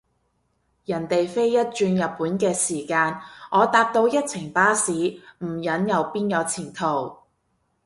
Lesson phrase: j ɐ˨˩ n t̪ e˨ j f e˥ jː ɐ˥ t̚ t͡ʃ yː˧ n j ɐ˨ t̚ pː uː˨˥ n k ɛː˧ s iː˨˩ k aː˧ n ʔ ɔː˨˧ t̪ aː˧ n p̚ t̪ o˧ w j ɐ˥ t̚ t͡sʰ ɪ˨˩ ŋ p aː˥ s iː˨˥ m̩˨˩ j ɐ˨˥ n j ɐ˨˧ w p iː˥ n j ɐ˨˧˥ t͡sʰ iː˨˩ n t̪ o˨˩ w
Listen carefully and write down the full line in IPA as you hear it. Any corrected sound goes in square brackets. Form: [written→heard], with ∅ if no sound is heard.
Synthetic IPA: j ɐ˨˩ n t̪ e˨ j f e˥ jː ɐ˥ t̚ t͡ʃ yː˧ n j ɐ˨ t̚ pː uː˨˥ n k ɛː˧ s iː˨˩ k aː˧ n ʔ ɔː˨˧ t̪ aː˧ [n→∅] p̚ t̪ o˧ w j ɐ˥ t̚ t͡sʰ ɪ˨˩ ŋ p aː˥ s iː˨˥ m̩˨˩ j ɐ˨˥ n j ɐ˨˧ w p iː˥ n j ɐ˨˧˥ t͡sʰ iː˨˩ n [t̪→t̪ʰ] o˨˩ w